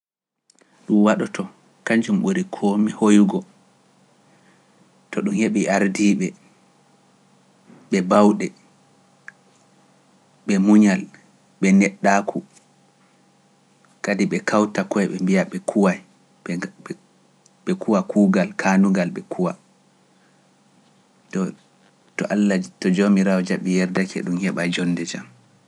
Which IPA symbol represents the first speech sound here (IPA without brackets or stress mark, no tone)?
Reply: ɗ